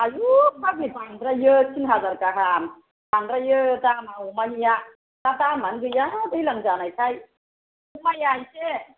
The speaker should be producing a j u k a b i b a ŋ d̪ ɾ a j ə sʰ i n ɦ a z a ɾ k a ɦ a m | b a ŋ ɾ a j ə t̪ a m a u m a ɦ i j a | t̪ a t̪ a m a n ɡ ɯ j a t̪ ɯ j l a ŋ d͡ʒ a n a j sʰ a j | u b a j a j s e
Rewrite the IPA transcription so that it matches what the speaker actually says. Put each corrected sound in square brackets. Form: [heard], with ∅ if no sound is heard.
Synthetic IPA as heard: a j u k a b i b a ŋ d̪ ɾ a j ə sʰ i n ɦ a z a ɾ k a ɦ a m | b a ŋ ɾ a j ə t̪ a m a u m a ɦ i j a | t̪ a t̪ a m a n ɡ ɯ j a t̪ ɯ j l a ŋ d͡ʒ a n a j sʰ a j | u [m] a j a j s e